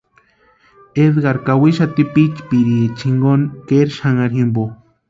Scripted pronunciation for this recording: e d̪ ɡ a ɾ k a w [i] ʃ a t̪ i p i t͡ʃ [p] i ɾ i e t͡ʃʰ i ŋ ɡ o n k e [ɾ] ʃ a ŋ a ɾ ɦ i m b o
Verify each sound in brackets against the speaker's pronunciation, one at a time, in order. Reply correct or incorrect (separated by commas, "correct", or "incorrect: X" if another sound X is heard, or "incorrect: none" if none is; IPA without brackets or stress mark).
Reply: correct, correct, correct